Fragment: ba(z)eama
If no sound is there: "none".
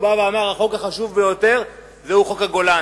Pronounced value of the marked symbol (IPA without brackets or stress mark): v